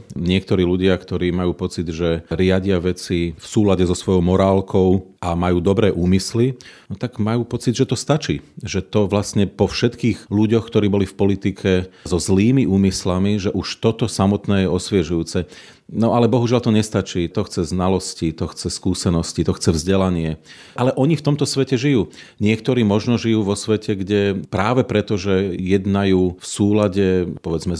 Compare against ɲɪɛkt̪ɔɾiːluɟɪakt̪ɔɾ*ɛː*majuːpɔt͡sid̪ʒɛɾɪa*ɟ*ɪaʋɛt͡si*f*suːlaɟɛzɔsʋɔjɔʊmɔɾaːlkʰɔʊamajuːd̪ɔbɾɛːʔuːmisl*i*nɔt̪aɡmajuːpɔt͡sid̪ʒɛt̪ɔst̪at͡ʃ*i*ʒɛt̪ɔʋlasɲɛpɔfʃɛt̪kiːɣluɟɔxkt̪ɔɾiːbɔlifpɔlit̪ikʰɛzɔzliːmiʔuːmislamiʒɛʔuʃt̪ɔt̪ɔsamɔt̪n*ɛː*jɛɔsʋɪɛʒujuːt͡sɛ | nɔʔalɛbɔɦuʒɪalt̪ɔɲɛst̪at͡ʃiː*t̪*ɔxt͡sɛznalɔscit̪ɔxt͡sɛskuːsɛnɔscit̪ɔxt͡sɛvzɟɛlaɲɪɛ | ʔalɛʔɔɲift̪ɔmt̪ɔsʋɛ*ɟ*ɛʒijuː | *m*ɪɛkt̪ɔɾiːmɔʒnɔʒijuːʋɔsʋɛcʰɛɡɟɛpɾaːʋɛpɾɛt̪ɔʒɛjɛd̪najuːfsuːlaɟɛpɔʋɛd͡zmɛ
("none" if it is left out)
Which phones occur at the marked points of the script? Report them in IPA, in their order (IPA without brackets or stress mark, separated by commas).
iː, ɟ, f, i, iː, ɛː, t̪, c, ɲ